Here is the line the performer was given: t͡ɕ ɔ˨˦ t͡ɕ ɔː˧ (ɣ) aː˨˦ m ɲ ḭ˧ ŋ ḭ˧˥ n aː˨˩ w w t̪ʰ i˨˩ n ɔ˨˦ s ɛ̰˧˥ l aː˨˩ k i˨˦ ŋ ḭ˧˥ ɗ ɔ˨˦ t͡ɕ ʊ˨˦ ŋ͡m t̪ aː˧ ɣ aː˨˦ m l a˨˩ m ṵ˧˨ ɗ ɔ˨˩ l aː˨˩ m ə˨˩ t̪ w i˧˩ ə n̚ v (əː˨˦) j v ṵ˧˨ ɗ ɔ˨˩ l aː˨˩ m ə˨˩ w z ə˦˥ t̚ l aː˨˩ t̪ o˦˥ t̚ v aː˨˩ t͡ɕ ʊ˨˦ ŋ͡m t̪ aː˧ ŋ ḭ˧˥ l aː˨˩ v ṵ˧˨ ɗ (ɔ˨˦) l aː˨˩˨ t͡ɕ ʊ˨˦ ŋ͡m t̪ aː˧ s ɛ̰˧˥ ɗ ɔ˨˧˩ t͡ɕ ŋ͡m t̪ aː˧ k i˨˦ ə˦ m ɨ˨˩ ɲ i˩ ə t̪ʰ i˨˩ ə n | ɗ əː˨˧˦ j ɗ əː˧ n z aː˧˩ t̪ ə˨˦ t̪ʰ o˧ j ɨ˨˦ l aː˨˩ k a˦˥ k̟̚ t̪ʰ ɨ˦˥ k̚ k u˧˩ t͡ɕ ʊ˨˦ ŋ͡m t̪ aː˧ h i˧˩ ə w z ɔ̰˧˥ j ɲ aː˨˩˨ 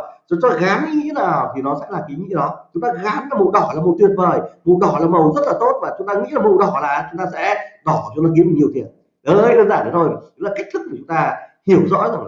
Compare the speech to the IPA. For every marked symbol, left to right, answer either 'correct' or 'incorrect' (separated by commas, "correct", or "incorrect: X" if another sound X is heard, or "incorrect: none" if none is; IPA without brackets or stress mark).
correct, incorrect: əː˨˩, incorrect: ɔ˧˩